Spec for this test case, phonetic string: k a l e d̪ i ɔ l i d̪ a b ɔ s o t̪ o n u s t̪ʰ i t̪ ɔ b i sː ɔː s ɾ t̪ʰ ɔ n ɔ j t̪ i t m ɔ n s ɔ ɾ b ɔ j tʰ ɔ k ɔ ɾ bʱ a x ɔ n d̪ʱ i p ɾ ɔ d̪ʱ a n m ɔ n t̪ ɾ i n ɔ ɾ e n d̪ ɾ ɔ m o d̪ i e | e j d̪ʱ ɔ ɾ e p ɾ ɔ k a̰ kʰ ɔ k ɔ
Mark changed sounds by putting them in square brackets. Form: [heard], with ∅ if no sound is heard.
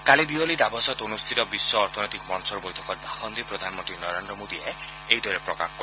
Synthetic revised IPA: k a l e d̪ i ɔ l i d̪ a b ɔ s [ɔ] t̪ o n u s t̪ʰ i t̪ ɔ b i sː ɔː [∅] ɾ t̪ʰ ɔ n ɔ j t̪ i [k] m ɔ n s ɔ ɾ b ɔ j tʰ ɔ k ɔ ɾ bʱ a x ɔ n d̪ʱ i p ɾ ɔ d̪ʱ a n m ɔ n t̪ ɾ i n ɔ ɾ e n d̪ ɾ ɔ m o d̪ i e | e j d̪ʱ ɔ ɾ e p ɾ ɔ k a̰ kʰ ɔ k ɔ